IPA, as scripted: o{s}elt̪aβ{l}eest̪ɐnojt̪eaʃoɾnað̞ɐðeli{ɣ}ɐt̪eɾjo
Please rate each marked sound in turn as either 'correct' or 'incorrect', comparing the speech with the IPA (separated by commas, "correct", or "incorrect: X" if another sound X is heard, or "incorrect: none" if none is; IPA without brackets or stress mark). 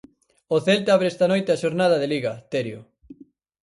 incorrect: θ, incorrect: ɾ, correct